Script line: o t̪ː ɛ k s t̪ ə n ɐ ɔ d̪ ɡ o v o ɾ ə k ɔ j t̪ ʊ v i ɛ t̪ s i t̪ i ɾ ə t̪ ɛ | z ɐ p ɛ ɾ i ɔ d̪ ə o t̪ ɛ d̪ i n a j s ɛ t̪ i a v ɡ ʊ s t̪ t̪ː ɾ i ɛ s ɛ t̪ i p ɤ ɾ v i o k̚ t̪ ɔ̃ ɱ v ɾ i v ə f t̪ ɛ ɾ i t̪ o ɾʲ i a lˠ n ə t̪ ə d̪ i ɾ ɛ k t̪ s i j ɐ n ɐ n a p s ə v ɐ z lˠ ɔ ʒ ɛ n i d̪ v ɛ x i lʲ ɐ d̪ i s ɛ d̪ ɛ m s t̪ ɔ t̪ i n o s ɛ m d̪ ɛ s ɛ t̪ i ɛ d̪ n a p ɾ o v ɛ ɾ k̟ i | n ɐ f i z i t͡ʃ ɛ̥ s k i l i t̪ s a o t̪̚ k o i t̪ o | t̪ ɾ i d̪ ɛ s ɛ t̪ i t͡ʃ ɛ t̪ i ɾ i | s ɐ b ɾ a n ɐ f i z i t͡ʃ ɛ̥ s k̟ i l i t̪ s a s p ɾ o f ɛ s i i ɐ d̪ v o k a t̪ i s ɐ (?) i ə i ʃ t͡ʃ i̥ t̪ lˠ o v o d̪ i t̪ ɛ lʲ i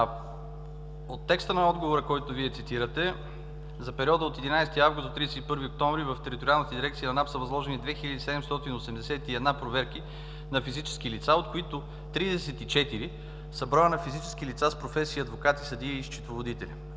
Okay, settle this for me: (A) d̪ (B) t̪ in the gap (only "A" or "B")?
A